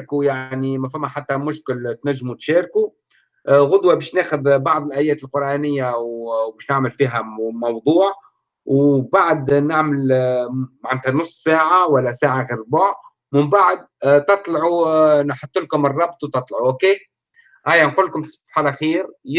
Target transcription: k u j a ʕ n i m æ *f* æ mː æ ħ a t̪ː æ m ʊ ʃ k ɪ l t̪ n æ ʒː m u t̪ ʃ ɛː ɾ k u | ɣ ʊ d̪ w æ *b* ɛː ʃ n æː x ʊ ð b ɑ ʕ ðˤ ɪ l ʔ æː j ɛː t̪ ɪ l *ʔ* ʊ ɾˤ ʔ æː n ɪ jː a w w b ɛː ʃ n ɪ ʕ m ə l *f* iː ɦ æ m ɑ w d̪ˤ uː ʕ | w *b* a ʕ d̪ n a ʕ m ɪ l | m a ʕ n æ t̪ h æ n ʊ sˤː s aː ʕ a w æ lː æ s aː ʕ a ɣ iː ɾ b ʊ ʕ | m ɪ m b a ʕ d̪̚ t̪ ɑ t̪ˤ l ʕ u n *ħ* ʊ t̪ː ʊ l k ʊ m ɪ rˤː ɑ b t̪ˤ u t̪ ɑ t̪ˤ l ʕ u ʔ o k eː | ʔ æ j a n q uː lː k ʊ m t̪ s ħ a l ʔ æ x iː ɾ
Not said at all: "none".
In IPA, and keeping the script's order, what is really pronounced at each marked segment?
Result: f, b, q, f, b, ħ

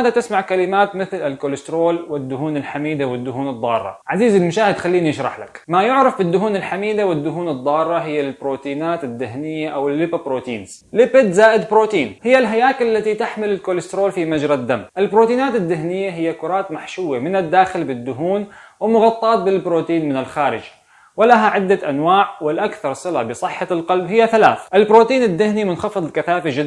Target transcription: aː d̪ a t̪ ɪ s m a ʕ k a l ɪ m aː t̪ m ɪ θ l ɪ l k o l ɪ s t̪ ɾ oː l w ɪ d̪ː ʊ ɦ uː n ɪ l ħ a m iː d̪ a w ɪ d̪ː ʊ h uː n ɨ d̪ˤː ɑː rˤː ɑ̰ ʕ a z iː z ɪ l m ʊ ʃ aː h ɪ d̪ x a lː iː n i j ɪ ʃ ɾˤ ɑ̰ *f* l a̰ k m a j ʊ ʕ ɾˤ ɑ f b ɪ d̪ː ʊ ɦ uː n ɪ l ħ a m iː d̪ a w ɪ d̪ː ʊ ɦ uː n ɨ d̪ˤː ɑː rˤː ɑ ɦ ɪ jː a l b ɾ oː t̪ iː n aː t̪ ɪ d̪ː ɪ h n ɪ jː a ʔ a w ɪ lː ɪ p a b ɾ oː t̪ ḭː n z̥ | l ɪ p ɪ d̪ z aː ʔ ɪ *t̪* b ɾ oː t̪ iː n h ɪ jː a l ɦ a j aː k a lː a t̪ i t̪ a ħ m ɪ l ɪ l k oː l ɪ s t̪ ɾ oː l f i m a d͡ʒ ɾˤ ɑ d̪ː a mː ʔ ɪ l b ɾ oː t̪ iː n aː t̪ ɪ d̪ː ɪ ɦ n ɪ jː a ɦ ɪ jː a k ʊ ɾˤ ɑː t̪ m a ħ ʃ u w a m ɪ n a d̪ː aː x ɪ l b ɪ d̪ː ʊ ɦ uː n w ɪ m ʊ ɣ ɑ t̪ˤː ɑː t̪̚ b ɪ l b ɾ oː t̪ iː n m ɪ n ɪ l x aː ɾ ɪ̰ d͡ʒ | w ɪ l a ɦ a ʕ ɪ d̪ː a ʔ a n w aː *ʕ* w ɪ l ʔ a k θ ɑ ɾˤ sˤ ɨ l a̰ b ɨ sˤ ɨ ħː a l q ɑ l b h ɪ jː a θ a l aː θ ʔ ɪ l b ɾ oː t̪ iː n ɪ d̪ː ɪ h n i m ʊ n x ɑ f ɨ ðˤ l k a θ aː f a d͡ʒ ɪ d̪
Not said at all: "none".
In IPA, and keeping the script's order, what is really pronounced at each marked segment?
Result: ħ, d̪, ʕ

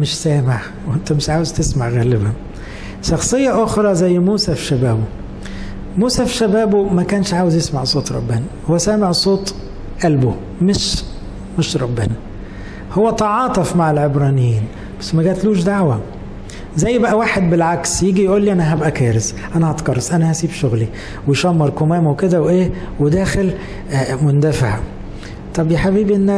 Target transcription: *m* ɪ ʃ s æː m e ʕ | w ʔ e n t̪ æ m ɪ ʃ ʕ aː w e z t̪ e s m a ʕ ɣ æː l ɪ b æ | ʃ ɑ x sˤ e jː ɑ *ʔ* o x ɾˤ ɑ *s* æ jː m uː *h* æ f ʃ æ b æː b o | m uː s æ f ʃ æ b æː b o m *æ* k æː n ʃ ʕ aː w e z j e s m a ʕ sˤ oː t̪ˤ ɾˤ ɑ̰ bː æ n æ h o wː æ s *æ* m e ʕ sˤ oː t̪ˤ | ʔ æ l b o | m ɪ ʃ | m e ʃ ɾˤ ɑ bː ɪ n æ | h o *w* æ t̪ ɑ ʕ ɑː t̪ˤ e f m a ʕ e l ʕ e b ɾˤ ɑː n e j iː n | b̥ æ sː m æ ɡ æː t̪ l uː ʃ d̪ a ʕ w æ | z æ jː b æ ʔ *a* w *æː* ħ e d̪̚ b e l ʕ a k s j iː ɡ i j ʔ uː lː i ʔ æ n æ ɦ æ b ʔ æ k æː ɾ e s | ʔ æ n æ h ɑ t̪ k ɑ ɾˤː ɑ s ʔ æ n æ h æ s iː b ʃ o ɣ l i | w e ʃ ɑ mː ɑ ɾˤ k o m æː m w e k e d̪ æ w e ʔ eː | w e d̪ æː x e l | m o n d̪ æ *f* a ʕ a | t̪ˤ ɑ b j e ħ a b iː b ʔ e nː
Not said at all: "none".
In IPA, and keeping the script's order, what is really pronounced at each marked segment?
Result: m, ʔ, z, s, æ, æː, wː, æ, aː, f

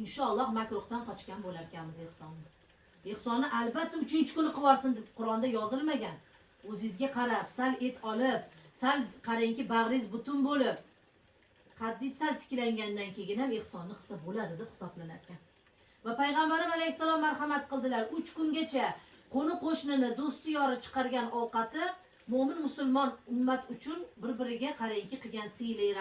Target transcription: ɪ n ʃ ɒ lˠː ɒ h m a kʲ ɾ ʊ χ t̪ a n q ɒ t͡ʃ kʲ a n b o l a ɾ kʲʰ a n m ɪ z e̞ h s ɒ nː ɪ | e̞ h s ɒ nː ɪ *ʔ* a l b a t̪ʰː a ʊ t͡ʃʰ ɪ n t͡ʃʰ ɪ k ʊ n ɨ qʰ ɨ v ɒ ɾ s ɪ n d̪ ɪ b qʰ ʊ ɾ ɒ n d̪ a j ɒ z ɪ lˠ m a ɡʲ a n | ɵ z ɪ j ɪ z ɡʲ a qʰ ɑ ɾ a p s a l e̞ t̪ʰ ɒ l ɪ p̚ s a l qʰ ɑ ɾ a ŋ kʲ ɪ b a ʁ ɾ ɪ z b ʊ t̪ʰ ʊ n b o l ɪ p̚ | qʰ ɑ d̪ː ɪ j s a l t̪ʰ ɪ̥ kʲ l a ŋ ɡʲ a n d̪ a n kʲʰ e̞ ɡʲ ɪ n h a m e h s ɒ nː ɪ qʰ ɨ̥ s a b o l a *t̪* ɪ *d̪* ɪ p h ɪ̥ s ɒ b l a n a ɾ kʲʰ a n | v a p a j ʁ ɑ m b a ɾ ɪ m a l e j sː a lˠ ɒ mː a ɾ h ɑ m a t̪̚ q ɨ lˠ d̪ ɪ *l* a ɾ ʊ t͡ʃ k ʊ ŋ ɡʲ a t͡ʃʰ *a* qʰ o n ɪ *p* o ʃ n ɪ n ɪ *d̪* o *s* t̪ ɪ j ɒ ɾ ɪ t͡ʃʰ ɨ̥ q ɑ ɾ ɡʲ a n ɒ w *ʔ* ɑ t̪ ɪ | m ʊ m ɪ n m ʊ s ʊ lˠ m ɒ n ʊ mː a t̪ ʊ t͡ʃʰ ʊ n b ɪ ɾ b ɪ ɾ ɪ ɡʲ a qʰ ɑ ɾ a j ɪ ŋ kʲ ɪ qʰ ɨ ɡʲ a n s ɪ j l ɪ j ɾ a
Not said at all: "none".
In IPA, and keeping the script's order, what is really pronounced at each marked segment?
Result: ʔ, d̪, d̪, l, a, q, d̪, s, q

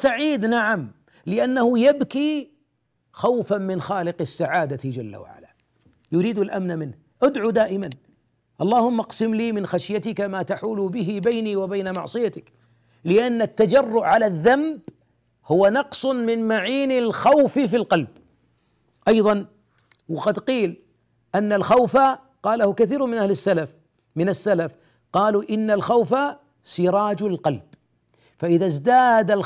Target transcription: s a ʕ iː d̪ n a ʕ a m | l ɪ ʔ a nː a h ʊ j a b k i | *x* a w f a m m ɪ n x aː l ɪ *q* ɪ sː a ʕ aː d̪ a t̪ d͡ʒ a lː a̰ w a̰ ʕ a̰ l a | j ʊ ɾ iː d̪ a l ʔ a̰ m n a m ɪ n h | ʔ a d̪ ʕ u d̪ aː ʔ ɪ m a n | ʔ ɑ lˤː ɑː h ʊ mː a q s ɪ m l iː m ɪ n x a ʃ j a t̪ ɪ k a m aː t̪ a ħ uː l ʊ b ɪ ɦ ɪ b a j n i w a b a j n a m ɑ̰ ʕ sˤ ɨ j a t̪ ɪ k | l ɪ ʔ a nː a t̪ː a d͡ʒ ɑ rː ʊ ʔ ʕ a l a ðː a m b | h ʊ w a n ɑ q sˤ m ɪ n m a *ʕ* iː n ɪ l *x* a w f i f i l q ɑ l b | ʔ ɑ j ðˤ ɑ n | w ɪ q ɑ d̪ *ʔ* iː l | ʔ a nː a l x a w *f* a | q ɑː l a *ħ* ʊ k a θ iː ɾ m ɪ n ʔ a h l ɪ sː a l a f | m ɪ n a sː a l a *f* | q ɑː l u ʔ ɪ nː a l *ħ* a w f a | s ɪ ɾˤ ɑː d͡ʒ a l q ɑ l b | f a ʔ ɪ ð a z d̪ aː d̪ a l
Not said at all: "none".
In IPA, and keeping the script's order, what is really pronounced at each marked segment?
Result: x, q, ʕ, x, q, f, h, f, x

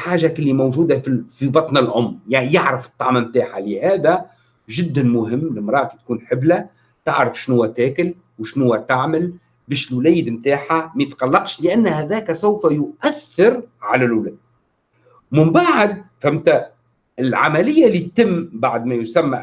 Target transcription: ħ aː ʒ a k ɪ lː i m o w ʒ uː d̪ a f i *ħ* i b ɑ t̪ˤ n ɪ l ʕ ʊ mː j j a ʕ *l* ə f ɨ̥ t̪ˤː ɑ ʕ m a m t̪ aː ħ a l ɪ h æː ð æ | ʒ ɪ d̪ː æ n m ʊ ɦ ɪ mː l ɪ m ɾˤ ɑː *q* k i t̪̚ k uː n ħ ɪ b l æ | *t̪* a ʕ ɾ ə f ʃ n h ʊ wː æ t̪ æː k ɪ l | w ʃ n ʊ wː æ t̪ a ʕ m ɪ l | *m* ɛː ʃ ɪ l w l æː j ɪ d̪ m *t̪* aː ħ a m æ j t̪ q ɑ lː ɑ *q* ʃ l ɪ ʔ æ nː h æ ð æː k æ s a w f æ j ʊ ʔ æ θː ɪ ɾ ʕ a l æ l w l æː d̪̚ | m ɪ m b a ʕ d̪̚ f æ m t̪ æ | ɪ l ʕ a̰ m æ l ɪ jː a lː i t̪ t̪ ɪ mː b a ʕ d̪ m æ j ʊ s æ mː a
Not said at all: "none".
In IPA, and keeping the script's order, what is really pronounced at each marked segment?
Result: f, ɾ, ʔ, t̪, b, t̪, q

